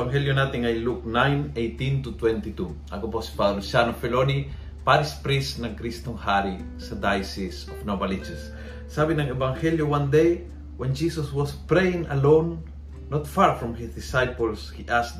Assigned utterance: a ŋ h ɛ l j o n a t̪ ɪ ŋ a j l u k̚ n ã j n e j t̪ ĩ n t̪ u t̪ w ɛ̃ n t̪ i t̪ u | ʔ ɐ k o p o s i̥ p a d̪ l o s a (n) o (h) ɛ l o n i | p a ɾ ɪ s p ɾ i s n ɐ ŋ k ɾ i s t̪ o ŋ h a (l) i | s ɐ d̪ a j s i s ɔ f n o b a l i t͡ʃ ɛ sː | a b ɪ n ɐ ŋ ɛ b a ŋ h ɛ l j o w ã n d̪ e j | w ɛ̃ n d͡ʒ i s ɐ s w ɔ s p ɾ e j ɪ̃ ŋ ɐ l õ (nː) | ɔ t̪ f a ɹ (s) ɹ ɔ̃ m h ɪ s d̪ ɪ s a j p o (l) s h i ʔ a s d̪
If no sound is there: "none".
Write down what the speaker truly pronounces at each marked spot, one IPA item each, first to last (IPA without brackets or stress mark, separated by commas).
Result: n, f, ɾ, nː, f, l